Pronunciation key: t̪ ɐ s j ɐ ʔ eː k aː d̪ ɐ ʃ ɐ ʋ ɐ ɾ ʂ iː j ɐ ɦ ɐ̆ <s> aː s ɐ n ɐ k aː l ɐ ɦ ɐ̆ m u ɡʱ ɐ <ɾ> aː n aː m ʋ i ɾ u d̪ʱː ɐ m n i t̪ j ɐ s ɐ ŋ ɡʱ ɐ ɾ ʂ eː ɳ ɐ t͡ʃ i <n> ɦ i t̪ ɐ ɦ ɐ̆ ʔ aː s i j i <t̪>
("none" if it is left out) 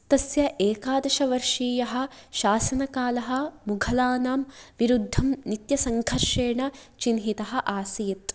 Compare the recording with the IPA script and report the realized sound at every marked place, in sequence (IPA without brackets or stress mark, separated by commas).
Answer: ʃ, l, n, t̪